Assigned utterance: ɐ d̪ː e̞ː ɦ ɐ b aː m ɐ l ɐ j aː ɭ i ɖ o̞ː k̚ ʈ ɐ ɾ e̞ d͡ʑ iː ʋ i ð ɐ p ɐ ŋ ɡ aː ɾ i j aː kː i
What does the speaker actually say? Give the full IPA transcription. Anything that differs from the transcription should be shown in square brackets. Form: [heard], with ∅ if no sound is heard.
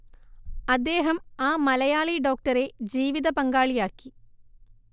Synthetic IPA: ɐ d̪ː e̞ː ɦ ɐ [m] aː m ɐ l ɐ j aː ɭ i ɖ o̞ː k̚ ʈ ɐ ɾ e̞ d͡ʑ iː ʋ i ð ɐ p ɐ ŋ ɡ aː [ɭ] i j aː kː i